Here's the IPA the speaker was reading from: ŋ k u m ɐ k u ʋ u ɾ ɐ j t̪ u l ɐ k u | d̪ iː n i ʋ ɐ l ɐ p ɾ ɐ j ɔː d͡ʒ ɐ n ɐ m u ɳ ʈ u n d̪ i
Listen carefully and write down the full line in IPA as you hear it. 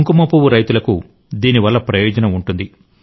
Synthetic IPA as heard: ŋ k u m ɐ p u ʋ u ɾ ɐ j t̪ u l ɐ k u | d̪ iː n i ʋ ɐ lː ɐ p ɾ ɐ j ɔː d͡ʒ ɐ n ɐ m u ɳ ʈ u n d̪ i